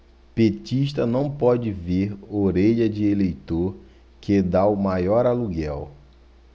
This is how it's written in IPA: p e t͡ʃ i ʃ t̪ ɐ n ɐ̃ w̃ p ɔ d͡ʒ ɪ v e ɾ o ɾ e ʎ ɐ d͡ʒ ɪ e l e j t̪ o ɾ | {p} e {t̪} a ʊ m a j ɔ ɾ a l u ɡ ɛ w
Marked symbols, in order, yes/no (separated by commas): no, no